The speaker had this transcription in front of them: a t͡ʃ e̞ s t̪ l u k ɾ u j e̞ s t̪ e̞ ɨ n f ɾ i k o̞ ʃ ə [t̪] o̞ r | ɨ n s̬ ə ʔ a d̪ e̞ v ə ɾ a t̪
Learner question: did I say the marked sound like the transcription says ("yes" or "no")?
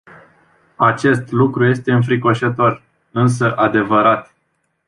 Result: yes